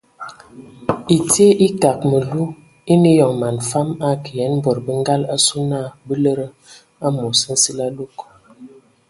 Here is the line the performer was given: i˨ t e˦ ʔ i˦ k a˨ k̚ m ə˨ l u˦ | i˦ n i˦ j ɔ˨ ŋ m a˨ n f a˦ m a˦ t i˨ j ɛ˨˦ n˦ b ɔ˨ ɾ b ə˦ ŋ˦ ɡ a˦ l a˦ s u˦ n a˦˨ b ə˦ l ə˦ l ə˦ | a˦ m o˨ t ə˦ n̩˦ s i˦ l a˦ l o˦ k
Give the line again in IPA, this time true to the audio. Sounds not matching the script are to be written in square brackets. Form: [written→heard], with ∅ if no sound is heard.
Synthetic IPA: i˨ t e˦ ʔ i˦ k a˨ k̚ m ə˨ l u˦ | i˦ n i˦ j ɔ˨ ŋ m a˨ n f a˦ m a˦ [t→k] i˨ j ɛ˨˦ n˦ b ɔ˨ ɾ b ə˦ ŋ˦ ɡ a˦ l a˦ s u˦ n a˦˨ b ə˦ l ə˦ [l→ɾ] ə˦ | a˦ m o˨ [t→s] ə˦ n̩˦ s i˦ l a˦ l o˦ k